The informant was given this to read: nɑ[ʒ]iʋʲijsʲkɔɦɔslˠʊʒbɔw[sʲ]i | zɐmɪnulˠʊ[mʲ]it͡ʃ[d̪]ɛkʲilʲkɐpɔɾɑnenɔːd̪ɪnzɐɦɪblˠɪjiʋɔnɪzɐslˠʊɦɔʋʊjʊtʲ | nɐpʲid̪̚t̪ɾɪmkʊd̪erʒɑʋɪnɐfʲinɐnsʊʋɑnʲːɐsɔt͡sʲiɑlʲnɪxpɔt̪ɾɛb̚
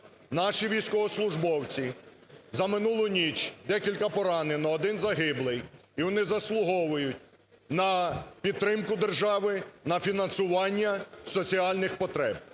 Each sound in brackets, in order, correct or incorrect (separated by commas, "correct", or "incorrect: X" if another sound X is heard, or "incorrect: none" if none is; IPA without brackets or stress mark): incorrect: ʃ, incorrect: t͡sʲ, incorrect: nʲ, correct